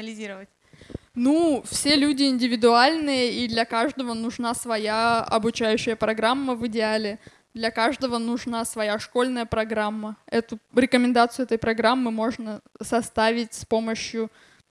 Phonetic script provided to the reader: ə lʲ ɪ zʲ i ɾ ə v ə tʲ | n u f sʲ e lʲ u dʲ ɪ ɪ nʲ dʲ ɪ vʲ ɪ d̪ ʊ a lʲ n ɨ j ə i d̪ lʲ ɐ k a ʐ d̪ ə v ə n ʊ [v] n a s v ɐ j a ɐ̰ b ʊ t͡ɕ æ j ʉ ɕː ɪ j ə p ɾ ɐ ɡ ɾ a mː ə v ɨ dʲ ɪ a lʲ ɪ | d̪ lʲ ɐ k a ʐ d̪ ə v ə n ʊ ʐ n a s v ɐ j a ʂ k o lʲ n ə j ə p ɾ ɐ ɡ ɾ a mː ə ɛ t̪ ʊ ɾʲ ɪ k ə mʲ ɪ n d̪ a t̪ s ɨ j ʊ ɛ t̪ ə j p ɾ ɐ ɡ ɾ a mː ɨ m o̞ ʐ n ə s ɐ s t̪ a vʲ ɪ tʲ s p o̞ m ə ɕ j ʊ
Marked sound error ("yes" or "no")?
yes